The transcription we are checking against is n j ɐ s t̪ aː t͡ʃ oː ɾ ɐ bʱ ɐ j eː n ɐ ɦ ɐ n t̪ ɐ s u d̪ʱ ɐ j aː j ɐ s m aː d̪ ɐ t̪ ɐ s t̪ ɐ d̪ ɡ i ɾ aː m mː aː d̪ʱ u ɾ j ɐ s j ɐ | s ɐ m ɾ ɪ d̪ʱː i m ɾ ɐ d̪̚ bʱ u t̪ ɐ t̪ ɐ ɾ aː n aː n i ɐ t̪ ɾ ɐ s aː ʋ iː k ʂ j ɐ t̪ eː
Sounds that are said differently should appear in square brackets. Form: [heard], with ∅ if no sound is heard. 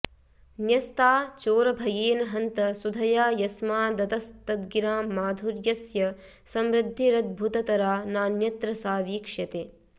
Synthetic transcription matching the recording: n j ɐ s t̪ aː t͡ʃ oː ɾ ɐ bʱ ɐ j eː n ɐ ɦ ɐ n t̪ ɐ s u d̪ʱ ɐ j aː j ɐ s m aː d̪ ɐ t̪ ɐ s t̪ ɐ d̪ ɡ i ɾ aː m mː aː d̪ʱ u ɾ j ɐ s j ɐ | s ɐ m ɾ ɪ d̪ʱː i [∅] ɾ ɐ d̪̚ bʱ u t̪ ɐ t̪ ɐ ɾ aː n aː n [j] ɐ t̪ ɾ ɐ s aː ʋ iː k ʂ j ɐ t̪ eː

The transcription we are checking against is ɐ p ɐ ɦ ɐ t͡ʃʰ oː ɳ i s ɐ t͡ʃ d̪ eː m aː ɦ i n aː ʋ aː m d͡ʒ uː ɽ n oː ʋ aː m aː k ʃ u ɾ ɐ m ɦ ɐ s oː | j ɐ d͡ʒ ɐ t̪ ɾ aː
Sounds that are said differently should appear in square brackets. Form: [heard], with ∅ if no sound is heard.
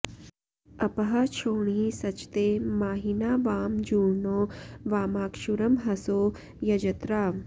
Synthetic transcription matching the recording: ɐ p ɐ ɦ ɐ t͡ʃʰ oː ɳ i s ɐ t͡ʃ [t̪] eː m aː ɦ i n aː ʋ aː m d͡ʒ uː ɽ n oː ʋ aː m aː k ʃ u ɾ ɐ m ɦ ɐ s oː | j ɐ d͡ʒ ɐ t̪ ɾ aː

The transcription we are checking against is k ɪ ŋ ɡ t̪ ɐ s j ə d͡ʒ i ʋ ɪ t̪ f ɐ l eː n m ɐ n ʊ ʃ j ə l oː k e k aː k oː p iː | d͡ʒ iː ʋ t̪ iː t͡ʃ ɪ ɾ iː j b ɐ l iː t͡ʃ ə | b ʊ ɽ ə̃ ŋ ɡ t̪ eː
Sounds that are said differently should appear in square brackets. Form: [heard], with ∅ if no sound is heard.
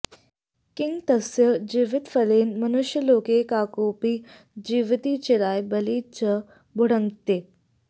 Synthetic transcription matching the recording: k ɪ ŋ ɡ t̪ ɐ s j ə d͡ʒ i ʋ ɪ t̪ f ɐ l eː n m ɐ n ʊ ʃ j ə l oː k e k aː k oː p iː | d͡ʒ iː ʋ t̪ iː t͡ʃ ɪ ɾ [aː] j b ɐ l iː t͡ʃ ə | b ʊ ɽ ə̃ ŋ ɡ t̪ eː

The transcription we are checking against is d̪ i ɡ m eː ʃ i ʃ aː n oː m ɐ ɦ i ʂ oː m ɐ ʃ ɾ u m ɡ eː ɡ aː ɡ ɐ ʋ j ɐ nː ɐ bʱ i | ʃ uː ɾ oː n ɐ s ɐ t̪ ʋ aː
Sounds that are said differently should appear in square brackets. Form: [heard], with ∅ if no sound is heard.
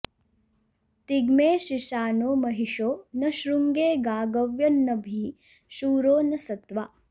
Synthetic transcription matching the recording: [t̪] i ɡ m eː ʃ i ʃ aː n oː m ɐ ɦ i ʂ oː [n] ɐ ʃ ɾ u [ŋ] ɡ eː ɡ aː ɡ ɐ ʋ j ɐ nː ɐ bʱ i | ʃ uː ɾ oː n ɐ s ɐ t̪ ʋ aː

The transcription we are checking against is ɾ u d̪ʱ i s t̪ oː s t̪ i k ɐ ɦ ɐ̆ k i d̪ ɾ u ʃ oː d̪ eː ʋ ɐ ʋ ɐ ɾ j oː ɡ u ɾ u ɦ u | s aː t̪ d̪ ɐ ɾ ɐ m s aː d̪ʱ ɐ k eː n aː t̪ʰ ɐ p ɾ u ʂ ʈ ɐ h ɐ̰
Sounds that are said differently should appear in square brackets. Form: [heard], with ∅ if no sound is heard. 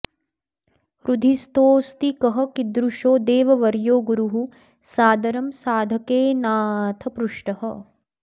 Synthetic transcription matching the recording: ɾ u d̪ʱ i s t̪ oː s t̪ i k ɐ ɦ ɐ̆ k i d̪ ɾ u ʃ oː d̪ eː ʋ ɐ ʋ ɐ ɾ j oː ɡ u ɾ u ɦ u | s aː [∅] d̪ ɐ ɾ ɐ m s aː d̪ʱ ɐ k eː n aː t̪ʰ ɐ p ɾ u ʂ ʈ ɐ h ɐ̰

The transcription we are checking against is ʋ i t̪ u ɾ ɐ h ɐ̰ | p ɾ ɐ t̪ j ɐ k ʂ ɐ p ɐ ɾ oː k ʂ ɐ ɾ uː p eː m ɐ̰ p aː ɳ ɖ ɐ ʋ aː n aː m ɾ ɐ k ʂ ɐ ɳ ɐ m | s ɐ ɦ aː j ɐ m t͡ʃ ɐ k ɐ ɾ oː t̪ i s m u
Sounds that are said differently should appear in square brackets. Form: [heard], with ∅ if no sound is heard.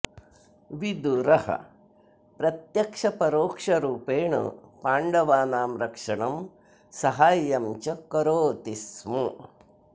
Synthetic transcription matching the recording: ʋ i [d̪] u ɾ ɐ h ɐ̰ | p ɾ ɐ t̪ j ɐ k ʂ ɐ p ɐ ɾ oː k ʂ ɐ ɾ uː p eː [ɳ] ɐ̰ p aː ɳ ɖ ɐ ʋ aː n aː m ɾ ɐ k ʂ ɐ ɳ ɐ m | s ɐ ɦ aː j ɐ m t͡ʃ ɐ k ɐ ɾ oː t̪ i s m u

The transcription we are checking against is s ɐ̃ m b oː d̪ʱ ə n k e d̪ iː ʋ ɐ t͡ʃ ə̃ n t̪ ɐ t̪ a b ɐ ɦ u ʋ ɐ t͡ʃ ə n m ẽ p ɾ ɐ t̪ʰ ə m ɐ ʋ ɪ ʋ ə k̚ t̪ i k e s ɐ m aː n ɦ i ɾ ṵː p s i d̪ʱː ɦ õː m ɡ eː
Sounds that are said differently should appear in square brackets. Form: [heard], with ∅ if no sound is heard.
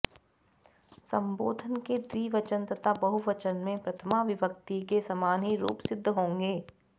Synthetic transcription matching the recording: s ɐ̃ m b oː d̪ʱ ə n k e d̪ iː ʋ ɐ t͡ʃ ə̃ n t̪ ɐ t̪ a b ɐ ɦ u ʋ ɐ t͡ʃ ə n m ẽ p ɾ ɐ t̪ʰ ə m [a] ʋ ɪ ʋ ə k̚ t̪ i k e s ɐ m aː n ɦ i ɾ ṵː p s [ɪ] d̪ʱː ɦ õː [ŋ] ɡ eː

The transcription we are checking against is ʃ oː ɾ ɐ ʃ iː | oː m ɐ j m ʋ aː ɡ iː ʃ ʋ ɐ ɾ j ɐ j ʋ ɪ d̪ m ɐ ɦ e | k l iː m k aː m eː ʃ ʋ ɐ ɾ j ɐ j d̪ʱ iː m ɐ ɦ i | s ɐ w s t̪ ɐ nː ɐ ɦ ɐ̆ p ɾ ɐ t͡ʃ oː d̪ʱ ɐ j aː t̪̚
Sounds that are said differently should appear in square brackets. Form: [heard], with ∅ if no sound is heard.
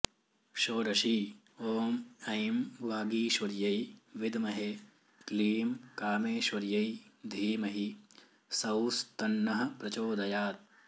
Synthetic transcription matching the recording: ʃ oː ɾ ɐ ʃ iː | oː m ɐ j m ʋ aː ɡ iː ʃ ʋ ɐ ɾ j ɐ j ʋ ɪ d̪ m ɐ ɦ e | k l iː m k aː m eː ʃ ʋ ɐ ɾ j ɐ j d̪ʱ iː m ɐ ɦ i | s ɐ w s t̪ ɐ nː ɐ ɦ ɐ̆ p ɾ ɐ t͡ʃ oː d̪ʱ ɐ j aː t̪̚

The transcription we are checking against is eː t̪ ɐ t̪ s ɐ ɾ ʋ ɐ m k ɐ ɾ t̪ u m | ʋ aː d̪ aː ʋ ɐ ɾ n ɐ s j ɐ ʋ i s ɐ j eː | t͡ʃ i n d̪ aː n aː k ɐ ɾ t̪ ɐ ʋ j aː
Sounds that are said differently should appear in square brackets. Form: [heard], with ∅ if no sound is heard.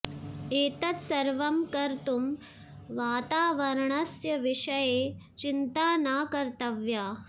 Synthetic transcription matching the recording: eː t̪ ɐ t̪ s ɐ ɾ ʋ ɐ m k ɐ ɾ t̪ u m | ʋ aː [t̪] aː ʋ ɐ ɾ [ɳ] ɐ s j ɐ ʋ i [ʂ] ɐ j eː | t͡ʃ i n [t̪] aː n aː k ɐ ɾ t̪ ɐ ʋ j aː

